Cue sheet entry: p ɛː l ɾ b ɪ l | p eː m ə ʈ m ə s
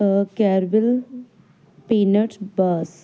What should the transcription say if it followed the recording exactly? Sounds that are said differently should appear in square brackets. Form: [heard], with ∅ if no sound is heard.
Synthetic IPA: [k] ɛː [∅] ɾ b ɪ l | p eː [n] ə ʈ [b] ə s